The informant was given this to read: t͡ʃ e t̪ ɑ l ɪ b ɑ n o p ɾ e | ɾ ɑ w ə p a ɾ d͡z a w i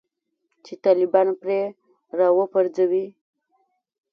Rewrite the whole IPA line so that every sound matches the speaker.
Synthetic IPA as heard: t͡ʃ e t̪ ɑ l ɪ b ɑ n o p ɾ e | ɾ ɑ w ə p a ɾ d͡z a w i